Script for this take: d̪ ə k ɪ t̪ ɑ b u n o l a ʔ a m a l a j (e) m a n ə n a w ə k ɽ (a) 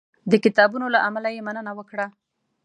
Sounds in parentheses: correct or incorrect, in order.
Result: correct, correct

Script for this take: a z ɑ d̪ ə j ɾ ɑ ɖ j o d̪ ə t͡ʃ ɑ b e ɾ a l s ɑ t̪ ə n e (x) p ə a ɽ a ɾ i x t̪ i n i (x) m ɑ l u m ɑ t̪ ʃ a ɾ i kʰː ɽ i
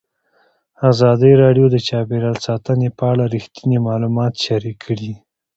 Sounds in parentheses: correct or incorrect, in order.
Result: incorrect: none, incorrect: none

